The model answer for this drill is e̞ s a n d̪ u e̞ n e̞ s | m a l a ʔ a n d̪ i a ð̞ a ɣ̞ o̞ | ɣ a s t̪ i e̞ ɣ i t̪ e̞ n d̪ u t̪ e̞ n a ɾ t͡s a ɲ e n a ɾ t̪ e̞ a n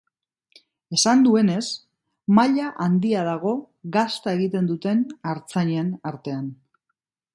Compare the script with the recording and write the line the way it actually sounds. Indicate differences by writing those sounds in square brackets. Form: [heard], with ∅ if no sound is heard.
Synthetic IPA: e̞ s a n d̪ u e̞ n e̞ s | m a [ʎ] a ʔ a n d̪ i a ð̞ a ɣ̞ o̞ | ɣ a s t̪ [a] e̞ ɣ i t̪ e̞ n d̪ u t̪ e̞ n a ɾ t͡s a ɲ e n a ɾ t̪ e̞ a n